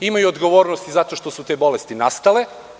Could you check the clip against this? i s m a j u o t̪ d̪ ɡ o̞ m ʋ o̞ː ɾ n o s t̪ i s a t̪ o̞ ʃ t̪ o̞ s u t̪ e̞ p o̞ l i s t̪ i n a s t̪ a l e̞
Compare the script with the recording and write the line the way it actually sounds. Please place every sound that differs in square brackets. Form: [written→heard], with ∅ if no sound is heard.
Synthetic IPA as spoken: i [s→∅] m a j u o [t̪→∅] d̪ ɡ o̞ [m→∅] ʋ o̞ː ɾ n o s t̪ i [s→z] a t̪ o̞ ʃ t̪ o̞ s u t̪ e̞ [p→b] o̞ l [i→e] s t̪ i n a s t̪ a l e̞